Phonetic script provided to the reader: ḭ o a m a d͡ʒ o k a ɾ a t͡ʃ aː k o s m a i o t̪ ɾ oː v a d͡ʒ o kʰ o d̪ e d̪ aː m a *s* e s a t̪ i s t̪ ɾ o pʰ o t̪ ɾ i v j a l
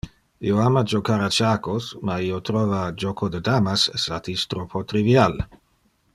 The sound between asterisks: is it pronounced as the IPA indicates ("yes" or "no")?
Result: yes